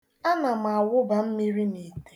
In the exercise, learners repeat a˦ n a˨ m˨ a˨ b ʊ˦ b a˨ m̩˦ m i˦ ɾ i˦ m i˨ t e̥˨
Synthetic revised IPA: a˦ n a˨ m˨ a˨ w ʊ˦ b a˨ m̩˦ m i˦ ɾ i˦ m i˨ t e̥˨